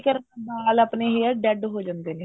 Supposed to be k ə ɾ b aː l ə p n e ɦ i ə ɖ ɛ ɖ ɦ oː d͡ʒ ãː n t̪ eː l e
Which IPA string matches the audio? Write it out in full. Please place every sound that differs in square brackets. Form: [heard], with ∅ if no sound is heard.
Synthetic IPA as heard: k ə ɾ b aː l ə p n e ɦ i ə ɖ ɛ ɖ ɦ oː d͡ʒ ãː n [d̪] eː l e